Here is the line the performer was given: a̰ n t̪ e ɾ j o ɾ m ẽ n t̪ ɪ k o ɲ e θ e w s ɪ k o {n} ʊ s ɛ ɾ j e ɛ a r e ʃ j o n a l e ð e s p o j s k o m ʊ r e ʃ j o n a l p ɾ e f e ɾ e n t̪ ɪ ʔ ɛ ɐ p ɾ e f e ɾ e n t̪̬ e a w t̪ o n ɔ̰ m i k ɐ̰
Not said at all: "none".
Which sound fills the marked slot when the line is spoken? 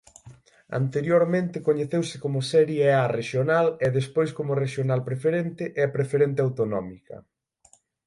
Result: m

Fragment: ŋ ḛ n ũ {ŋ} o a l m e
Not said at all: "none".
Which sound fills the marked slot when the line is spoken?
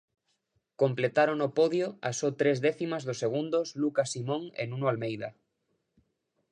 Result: n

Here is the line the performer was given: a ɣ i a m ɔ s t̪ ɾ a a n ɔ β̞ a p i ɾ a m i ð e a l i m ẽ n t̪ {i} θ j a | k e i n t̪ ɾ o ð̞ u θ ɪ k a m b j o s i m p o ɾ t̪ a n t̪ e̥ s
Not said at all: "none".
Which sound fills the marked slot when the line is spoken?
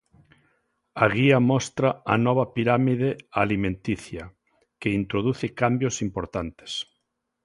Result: i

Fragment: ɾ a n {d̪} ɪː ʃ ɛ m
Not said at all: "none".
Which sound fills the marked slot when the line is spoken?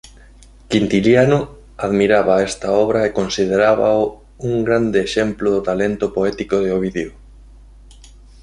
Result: d̪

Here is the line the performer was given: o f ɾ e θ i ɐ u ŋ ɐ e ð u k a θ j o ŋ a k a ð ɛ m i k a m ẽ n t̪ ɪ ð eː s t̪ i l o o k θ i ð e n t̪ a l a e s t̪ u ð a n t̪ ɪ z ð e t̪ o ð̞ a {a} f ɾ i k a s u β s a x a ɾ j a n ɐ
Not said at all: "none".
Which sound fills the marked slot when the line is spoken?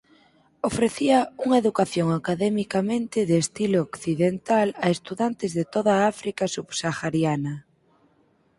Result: a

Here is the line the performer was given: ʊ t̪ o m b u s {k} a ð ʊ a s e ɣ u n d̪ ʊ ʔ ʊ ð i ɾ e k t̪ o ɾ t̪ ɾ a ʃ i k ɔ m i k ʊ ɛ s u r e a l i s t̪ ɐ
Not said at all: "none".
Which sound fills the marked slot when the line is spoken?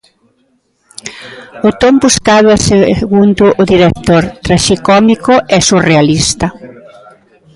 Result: k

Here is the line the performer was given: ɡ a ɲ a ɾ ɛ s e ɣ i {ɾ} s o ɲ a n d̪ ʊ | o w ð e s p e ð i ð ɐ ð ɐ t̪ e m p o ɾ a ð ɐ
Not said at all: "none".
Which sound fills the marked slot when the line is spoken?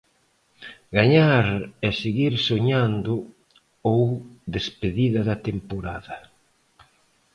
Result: ɾ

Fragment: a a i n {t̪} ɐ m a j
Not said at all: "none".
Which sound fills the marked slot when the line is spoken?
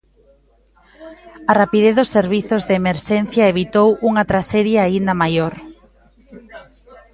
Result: d̪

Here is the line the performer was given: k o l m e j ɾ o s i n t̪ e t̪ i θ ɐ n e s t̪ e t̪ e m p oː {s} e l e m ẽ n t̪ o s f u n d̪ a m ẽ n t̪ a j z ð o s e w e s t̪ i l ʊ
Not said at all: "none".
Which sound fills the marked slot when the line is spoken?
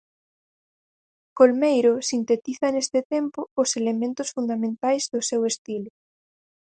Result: s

